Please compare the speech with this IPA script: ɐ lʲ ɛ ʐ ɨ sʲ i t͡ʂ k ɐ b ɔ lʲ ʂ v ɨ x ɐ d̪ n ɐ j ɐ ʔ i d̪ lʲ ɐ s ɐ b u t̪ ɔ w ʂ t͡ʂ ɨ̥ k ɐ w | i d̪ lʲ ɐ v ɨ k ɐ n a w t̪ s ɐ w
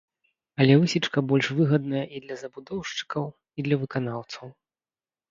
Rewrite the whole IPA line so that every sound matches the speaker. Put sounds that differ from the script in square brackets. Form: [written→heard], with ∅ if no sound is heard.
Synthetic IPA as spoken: ɐ lʲ ɛ [ʐ→v] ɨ sʲ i t͡ʂ k ɐ b ɔ lʲ ʂ v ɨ [x→ɣ] ɐ d̪ n ɐ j ɐ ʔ i d̪ lʲ ɐ [s→z] ɐ b u [t̪→d̪] ɔ w ʂ t͡ʂ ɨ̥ k ɐ w | i d̪ lʲ ɐ v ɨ k [ɐ→a] n a w t̪ s ɐ w